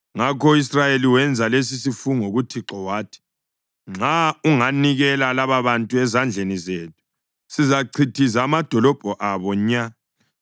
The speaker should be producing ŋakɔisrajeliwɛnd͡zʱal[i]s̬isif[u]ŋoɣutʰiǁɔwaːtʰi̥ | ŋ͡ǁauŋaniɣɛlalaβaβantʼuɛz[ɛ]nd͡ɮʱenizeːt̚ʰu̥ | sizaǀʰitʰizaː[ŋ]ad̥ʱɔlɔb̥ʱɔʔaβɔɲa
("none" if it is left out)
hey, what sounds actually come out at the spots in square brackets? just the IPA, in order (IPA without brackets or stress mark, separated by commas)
e, u, a, m